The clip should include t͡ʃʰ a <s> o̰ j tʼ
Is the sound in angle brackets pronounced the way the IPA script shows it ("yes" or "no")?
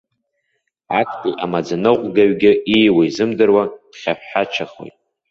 no